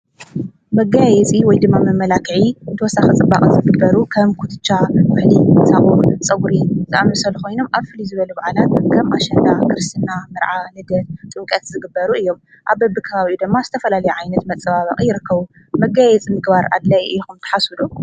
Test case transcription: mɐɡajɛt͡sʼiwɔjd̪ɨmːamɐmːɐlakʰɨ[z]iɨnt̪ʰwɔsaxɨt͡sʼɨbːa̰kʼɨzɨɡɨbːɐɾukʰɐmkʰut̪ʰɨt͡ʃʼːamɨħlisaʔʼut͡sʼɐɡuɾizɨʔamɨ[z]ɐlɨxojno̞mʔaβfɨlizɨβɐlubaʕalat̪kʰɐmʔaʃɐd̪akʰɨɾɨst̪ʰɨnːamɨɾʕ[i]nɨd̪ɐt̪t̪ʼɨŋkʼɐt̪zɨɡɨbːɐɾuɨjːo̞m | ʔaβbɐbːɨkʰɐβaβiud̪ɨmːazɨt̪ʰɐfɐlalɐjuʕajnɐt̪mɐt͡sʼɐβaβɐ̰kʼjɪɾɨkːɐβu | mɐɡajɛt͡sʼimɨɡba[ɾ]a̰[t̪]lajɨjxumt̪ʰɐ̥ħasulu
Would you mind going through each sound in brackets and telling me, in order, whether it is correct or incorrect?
incorrect: ʕ, incorrect: s, incorrect: a, correct, incorrect: d̪

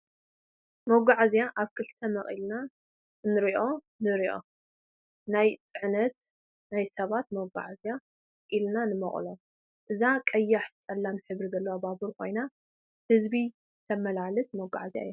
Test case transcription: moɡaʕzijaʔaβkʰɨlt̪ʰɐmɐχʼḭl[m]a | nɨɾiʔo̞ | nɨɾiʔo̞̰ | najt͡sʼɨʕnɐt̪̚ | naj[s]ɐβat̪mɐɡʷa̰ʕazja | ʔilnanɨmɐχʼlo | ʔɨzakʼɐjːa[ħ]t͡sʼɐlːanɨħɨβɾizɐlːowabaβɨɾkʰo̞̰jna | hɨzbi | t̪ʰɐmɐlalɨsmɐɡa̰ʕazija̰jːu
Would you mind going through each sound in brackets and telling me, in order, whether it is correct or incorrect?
incorrect: n, correct, correct

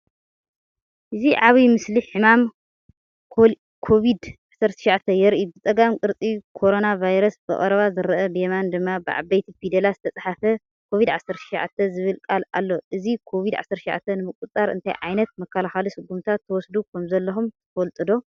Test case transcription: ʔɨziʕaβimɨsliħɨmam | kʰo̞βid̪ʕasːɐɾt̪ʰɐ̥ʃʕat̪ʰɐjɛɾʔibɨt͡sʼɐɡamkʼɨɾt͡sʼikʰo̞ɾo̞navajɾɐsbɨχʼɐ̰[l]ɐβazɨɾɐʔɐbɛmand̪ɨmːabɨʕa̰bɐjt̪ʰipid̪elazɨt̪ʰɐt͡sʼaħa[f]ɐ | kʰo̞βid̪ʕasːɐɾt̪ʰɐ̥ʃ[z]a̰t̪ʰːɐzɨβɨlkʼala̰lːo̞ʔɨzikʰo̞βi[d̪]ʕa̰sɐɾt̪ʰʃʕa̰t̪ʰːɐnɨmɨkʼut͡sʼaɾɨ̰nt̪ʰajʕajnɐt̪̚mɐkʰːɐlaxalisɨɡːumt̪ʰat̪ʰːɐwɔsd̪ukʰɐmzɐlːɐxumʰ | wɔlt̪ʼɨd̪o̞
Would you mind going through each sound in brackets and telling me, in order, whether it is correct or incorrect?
incorrect: ɾ, correct, incorrect: ʕ, correct

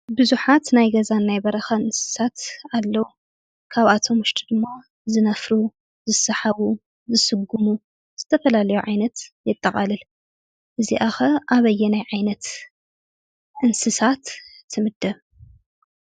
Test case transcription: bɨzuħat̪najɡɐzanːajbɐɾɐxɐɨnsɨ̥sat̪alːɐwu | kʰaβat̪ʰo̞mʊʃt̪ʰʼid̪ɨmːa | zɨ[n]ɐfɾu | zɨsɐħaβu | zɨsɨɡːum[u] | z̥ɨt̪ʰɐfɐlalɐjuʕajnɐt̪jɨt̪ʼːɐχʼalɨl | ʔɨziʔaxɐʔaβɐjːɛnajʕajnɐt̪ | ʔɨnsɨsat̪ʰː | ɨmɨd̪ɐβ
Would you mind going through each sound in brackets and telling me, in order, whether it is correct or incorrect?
correct, correct

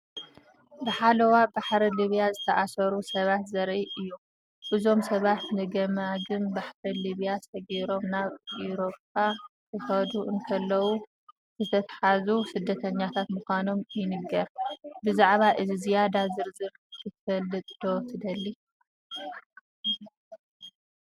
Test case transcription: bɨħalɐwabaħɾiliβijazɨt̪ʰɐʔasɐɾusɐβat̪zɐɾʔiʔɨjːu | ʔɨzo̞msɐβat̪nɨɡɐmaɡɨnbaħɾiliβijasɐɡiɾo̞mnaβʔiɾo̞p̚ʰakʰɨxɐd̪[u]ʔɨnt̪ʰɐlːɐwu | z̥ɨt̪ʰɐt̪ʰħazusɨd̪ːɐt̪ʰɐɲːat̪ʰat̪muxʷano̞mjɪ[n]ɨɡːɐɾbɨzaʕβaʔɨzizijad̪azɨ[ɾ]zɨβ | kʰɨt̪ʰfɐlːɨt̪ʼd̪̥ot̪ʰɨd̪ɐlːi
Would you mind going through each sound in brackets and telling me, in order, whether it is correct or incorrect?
correct, correct, correct

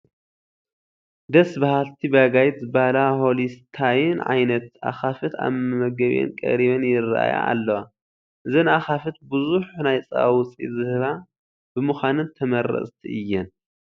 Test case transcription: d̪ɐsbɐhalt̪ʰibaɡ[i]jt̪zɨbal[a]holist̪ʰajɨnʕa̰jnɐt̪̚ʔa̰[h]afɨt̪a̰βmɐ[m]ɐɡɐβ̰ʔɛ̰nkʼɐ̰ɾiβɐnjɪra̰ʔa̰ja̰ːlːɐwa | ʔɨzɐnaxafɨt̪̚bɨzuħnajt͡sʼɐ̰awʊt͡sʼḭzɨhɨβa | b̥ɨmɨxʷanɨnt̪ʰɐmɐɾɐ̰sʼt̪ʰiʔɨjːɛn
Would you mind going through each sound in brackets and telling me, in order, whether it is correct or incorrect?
incorrect: a, correct, incorrect: x, correct

